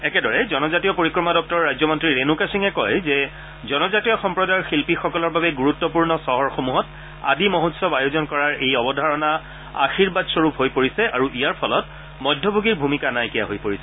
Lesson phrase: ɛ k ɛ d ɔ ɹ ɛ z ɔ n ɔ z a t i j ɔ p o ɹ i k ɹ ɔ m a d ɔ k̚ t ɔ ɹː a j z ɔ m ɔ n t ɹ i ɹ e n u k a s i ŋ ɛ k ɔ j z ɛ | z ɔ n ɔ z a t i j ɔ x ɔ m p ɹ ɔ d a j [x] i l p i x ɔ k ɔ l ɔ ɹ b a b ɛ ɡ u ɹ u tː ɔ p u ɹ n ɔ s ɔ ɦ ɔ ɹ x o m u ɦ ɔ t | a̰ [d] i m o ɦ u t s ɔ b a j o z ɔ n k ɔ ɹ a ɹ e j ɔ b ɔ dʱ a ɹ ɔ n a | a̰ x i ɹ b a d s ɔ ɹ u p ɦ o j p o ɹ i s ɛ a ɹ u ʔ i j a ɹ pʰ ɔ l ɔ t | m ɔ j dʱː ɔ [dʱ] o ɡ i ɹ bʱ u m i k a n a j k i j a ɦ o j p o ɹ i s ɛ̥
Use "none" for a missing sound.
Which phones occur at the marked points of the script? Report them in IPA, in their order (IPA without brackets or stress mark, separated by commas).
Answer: x, d, bʱ